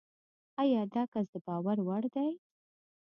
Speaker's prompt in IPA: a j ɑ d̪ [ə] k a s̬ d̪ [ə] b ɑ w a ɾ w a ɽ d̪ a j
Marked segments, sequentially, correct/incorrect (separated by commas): incorrect, correct